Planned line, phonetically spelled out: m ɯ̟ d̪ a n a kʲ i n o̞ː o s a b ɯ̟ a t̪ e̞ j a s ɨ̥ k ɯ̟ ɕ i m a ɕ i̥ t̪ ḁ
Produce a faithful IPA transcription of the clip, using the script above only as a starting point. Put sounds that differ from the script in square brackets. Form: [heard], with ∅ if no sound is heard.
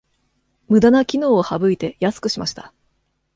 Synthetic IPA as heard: m ɯ̟ d̪ a n a kʲ i n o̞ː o [h] a b ɯ̟ [i] t̪ e̞ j a s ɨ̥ k ɯ̟ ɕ i m a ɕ i̥ t̪ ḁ